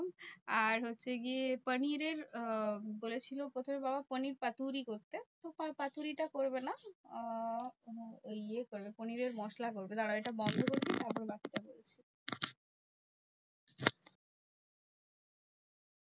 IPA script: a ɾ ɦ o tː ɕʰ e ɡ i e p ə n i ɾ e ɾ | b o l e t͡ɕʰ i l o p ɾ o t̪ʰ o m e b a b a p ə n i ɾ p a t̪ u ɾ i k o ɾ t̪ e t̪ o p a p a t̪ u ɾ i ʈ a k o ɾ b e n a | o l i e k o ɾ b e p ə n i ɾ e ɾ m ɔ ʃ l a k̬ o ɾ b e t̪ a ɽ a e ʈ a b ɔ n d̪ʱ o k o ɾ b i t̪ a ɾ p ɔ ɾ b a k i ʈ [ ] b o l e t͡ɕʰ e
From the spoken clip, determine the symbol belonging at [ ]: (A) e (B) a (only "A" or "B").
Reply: B